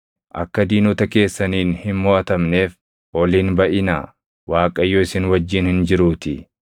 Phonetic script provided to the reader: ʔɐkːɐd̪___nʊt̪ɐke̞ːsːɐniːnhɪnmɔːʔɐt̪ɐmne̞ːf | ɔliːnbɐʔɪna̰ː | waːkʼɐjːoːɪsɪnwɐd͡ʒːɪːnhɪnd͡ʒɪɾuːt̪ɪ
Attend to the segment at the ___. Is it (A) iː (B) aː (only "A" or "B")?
A